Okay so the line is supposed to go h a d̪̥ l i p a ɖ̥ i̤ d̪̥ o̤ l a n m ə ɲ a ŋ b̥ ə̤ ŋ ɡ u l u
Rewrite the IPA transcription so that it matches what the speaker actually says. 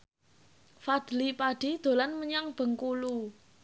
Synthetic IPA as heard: f a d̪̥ l i p a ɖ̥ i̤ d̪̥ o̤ l a n m ə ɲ a ŋ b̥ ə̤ ŋ k u l u